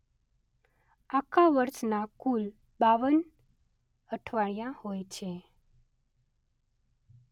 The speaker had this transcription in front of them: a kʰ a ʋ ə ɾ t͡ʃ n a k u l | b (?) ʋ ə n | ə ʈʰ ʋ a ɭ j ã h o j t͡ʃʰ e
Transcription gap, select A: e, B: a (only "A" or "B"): B